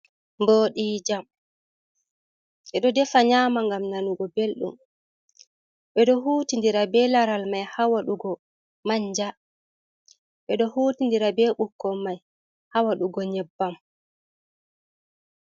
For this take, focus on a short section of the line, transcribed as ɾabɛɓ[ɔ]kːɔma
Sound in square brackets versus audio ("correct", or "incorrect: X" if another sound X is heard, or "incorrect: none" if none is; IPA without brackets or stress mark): incorrect: u